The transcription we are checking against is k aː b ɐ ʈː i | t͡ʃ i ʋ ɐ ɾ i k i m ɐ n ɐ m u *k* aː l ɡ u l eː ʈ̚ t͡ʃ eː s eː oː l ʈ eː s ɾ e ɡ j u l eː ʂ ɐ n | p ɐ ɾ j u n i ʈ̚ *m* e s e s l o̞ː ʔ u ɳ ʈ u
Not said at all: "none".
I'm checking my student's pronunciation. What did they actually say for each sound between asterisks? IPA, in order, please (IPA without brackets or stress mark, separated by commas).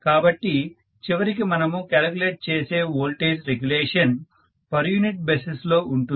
k, b